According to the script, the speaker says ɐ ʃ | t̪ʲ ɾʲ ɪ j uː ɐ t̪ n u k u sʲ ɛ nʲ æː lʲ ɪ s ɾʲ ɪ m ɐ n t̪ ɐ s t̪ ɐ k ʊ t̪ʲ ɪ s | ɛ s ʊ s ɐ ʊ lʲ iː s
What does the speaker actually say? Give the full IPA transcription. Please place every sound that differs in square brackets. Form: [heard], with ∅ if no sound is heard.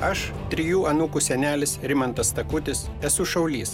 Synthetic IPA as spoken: ɐ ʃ | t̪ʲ ɾʲ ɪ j uː ɐ [∅] n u k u sʲ ɛ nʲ æː lʲ ɪ s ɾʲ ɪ m ɐ n t̪ ɐ s t̪ ɐ k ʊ t̪ʲ ɪ s | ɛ s ʊ [ʃ] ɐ ʊ lʲ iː s